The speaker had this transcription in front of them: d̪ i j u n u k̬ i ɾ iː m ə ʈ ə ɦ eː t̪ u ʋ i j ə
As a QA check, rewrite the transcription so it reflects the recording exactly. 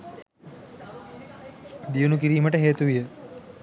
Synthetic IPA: d̪ i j u n u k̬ i ɾ iː m ə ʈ ə ɦ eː t̪ u ʋ i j ə